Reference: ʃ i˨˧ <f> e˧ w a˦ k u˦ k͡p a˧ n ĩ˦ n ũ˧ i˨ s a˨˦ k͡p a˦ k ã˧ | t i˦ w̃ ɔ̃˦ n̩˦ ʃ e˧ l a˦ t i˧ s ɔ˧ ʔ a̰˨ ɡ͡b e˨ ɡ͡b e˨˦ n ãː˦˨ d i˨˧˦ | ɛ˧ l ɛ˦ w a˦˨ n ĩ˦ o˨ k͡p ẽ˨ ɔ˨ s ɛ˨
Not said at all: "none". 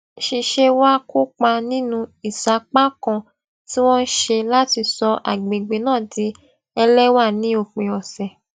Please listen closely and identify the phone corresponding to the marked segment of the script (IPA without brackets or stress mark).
ʃ